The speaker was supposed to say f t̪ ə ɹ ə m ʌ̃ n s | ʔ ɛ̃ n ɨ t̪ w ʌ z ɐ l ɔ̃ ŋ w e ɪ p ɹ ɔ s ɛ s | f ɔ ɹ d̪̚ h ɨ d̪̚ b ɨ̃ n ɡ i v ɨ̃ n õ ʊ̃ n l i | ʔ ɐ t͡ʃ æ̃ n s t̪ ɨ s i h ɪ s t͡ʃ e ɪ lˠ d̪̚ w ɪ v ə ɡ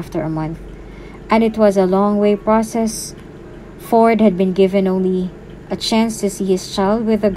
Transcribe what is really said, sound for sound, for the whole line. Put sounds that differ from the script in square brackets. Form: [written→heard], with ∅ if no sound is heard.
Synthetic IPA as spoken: f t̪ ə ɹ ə m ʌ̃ n [s→θ] | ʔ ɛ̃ n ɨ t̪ w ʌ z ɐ l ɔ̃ ŋ w e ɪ p ɹ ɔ s ɛ s | f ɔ ɹ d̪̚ h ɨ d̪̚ b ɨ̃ n ɡ [i→ɪ] v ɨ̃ n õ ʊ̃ n l i | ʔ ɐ t͡ʃ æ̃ n s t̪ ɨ s i h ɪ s t͡ʃ [e→a] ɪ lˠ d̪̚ w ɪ [v→ð] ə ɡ

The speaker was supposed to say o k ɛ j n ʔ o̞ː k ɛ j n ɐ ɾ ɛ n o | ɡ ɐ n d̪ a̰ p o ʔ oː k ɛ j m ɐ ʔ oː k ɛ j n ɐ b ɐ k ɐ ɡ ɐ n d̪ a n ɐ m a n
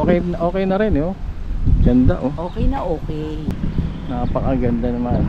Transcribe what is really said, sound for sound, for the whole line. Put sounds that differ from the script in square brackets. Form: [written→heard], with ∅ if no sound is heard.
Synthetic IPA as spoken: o k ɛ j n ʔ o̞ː k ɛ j n ɐ ɾ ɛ n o | ɡ ɐ n d̪ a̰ [p→ʔ] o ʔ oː k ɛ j [m→n] ɐ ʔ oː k ɛ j n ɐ [b→p] ɐ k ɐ ɡ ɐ n d̪ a n ɐ m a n

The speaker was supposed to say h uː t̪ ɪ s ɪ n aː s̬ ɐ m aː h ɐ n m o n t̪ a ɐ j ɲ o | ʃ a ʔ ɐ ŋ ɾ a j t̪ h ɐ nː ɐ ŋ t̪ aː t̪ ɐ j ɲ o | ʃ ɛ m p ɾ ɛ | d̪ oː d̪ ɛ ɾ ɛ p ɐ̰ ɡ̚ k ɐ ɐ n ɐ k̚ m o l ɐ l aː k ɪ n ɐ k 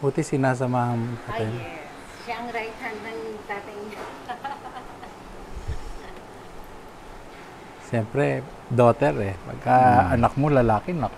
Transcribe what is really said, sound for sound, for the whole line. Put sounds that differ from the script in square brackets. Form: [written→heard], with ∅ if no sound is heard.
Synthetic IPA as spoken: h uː t̪ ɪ s ɪ n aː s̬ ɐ m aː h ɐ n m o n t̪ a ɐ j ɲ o | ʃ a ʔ ɐ ŋ ɾ a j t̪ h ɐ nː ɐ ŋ t̪ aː t̪ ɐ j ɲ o | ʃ ɛ m p ɾ ɛ | d̪ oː [d̪→t̪] ɛ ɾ ɛ p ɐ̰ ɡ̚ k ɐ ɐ n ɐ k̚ m o l ɐ l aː k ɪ n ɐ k

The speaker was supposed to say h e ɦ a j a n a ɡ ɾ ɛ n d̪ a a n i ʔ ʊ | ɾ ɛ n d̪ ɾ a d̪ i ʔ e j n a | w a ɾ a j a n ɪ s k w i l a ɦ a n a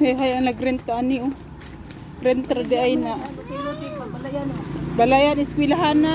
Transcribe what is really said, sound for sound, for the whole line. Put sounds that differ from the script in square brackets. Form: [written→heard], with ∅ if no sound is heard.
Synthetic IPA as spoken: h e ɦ a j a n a ɡ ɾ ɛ n [d̪→t̪] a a n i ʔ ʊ | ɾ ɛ n [d̪→t̪] ɾ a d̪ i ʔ [e→a] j n a | [w→b] a [ɾ→l] a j a n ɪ s k w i l a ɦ a n a

